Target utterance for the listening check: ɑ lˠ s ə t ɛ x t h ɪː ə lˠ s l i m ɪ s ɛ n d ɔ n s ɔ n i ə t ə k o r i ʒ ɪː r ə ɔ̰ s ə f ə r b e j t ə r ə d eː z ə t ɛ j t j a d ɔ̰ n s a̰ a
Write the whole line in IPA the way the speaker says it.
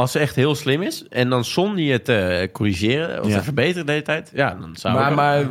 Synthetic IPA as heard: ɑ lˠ s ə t ɛ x t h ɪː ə lˠ s l ɪ m ɪ s ɛ n d ɔ n s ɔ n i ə t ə k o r i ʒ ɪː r ə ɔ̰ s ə f ə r b e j t ə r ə d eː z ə t ɛ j t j a d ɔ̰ n s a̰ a